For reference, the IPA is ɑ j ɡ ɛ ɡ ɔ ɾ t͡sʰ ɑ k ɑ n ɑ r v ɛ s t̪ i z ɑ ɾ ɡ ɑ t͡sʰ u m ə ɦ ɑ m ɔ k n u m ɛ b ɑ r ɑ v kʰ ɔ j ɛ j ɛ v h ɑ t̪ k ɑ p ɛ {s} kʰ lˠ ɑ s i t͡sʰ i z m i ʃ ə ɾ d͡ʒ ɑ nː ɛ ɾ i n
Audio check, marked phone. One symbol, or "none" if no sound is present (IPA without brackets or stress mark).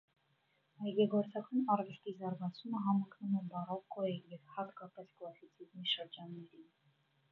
s